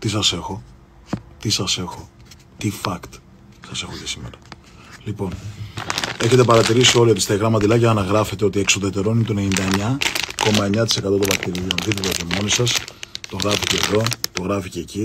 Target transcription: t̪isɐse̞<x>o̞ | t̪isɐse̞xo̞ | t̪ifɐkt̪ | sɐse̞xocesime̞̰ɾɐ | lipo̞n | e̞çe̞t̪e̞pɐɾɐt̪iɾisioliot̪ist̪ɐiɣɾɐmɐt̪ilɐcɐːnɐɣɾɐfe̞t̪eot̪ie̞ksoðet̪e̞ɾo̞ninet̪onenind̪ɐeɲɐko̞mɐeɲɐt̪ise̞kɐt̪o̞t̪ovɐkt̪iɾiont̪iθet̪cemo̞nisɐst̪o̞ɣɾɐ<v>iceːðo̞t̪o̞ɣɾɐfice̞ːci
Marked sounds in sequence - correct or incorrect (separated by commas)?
correct, incorrect